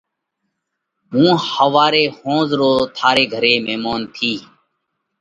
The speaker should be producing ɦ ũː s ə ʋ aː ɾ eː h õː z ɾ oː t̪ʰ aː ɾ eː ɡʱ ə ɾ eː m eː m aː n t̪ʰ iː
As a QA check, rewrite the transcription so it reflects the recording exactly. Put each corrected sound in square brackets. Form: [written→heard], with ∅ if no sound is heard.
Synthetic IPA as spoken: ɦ ũː [s→h] ə ʋ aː ɾ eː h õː z ɾ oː t̪ʰ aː ɾ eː ɡʱ ə ɾ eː m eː m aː n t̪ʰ iː